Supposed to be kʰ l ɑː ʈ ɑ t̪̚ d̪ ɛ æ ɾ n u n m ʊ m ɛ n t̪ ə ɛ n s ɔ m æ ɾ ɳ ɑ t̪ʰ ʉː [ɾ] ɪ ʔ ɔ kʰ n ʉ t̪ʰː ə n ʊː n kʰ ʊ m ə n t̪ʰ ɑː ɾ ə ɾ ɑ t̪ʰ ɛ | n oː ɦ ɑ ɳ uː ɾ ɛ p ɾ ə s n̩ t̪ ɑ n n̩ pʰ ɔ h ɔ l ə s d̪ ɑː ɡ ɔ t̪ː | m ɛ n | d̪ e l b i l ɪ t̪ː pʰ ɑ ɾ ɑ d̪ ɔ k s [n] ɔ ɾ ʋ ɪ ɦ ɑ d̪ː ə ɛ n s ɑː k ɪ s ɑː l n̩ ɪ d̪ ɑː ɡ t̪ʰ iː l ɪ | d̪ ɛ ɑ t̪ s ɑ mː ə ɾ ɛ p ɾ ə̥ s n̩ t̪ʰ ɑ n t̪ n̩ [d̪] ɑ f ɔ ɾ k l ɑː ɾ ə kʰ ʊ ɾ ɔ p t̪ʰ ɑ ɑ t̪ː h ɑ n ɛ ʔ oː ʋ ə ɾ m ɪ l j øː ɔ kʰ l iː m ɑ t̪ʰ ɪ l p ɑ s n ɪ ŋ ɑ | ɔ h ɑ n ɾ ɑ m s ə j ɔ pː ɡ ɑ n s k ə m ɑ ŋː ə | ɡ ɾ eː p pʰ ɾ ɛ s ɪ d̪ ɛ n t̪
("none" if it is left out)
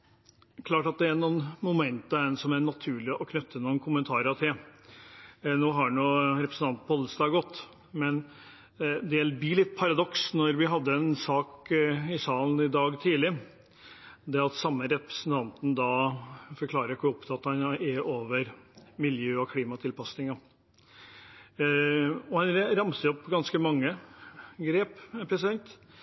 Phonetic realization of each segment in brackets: ɭ, n, d̪

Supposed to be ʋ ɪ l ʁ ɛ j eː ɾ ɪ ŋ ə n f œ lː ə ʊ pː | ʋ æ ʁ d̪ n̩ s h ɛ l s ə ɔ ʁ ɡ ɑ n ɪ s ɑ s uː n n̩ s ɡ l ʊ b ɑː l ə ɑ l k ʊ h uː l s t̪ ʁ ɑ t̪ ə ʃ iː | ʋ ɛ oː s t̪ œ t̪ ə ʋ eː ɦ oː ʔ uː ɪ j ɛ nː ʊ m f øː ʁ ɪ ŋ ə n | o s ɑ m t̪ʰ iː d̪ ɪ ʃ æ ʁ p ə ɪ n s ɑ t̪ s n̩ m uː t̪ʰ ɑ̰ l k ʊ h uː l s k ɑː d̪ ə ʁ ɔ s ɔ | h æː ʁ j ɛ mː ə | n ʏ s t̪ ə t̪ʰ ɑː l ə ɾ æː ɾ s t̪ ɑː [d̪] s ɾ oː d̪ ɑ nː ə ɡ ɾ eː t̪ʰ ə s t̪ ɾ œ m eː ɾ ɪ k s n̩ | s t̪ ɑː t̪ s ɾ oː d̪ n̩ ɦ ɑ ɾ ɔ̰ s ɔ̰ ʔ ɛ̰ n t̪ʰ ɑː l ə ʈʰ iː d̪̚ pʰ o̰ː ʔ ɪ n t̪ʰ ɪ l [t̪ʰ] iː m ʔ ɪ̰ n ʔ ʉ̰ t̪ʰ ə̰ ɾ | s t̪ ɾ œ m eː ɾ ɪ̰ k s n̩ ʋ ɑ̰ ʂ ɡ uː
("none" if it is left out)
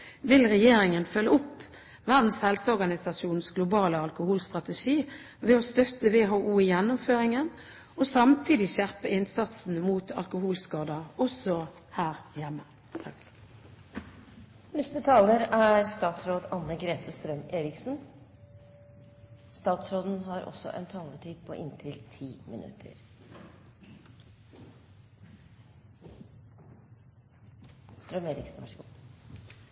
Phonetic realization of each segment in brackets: t̪, t̪ʰ

